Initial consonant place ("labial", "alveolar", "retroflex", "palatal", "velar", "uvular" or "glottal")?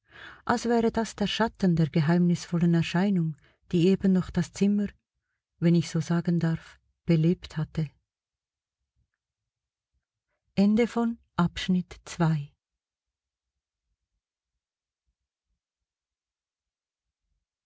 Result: glottal